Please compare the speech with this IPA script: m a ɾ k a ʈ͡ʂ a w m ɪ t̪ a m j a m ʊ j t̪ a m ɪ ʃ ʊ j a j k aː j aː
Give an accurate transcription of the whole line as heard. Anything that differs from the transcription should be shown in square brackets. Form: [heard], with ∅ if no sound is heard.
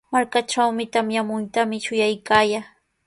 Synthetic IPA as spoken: m a ɾ k a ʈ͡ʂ a w m ɪ t̪ a m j a m ʊ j t̪ a m ɪ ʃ ʊ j a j k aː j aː